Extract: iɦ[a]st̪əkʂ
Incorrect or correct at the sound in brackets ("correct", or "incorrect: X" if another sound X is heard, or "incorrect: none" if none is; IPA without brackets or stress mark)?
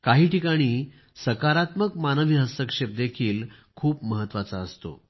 incorrect: ə